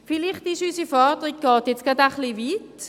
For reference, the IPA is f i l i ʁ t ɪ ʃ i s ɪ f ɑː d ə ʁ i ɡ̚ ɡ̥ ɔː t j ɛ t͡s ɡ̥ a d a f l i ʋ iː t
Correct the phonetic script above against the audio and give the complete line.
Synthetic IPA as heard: f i l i χ t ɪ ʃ y s i f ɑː d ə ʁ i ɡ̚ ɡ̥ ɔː t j ɛ t͡s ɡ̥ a d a χ l i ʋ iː t